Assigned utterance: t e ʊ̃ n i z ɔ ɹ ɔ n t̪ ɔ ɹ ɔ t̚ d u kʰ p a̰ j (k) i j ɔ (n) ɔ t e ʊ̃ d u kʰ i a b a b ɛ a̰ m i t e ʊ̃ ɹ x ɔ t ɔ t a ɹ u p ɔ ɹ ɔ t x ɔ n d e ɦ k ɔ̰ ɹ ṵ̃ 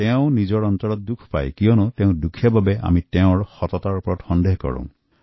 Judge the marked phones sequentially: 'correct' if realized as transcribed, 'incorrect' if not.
correct, correct

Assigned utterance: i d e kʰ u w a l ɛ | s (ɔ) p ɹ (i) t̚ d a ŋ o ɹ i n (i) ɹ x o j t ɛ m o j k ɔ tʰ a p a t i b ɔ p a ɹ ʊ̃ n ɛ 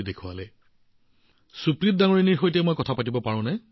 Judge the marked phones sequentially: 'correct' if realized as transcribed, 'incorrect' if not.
incorrect, correct, correct

